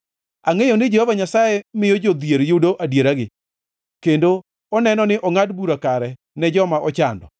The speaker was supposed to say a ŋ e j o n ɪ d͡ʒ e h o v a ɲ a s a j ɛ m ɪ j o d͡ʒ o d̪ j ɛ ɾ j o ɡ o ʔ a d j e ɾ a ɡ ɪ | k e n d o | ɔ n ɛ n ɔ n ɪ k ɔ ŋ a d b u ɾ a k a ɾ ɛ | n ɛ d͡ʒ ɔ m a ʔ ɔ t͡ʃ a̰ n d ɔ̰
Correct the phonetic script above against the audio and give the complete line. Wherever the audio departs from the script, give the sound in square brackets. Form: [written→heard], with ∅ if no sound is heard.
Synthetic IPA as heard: a ŋ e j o n ɪ d͡ʒ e h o v a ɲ a s a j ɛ m ɪ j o d͡ʒ o d̪ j [ɛ→e] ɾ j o [ɡ→d] o ʔ a d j e ɾ a ɡ ɪ | k e n d o | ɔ n ɛ n ɔ n ɪ [k→ʔ] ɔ ŋ a d b u ɾ a k a ɾ ɛ | n ɛ d͡ʒ ɔ m a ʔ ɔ t͡ʃ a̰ n d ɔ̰